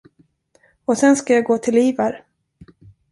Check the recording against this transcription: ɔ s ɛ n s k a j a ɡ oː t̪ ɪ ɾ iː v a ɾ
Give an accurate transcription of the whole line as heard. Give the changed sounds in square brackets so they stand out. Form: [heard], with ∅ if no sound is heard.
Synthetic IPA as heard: ɔ s ɛ n s k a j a ɡ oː [t̪ʰ] ɪ [l] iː v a ɾ